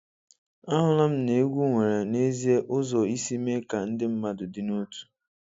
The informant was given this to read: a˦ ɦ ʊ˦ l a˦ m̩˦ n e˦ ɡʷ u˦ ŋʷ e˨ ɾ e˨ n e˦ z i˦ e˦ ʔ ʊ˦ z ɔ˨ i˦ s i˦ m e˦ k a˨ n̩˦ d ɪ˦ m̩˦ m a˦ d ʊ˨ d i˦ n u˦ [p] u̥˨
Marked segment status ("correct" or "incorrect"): incorrect